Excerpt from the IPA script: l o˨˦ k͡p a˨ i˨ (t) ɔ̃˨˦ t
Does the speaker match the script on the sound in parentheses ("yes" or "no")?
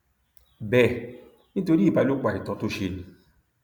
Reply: yes